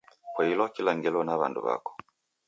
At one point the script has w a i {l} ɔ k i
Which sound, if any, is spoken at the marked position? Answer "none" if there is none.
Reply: l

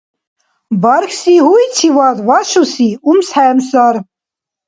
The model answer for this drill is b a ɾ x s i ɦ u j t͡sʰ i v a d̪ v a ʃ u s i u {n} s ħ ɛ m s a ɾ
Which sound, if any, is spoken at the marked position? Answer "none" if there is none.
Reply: m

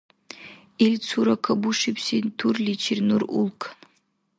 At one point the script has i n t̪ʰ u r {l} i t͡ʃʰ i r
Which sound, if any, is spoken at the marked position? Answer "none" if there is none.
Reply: l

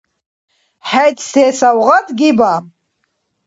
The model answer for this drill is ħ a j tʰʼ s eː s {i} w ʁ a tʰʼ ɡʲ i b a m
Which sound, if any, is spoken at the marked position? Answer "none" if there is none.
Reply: a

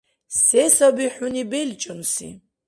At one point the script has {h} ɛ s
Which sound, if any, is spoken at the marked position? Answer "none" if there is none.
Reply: s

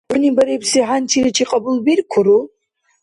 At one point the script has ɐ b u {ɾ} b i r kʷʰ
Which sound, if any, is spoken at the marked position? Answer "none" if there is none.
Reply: l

